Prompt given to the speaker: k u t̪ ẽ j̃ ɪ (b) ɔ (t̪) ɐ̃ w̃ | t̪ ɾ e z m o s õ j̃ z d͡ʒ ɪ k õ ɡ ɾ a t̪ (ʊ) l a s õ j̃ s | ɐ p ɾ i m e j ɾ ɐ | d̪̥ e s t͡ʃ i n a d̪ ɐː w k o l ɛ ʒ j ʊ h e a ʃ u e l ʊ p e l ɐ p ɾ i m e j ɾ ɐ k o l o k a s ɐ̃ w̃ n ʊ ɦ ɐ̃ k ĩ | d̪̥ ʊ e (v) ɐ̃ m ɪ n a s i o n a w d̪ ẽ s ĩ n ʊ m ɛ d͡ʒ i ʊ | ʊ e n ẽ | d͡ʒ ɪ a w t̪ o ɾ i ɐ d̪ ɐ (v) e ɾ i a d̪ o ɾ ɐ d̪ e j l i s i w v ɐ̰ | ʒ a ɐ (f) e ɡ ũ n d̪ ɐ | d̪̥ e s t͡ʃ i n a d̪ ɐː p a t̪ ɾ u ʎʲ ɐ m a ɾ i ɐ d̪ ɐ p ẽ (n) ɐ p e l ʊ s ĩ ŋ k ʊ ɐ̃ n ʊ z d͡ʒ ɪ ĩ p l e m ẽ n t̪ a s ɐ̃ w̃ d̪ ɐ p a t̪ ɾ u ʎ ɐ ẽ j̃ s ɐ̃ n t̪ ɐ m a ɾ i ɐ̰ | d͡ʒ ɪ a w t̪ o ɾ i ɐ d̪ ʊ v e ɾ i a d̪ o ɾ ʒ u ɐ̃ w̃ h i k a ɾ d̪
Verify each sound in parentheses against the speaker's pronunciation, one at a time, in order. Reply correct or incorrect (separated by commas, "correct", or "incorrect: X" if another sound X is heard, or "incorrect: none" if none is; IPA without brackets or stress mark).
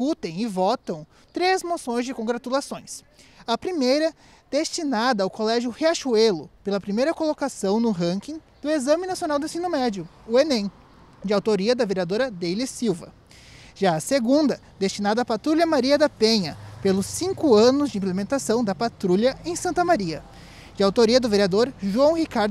incorrect: v, correct, incorrect: u, incorrect: z, correct, incorrect: s, incorrect: ɲ